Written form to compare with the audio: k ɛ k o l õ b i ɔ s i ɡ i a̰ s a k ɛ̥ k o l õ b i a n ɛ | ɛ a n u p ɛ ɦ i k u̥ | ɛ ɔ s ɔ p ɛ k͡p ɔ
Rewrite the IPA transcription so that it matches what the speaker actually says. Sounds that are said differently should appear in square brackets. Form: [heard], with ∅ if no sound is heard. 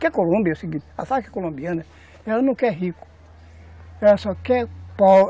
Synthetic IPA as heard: k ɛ k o l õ b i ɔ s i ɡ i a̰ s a k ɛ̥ k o l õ b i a n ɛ | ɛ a n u [k] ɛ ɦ i k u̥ | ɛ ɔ s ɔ [k] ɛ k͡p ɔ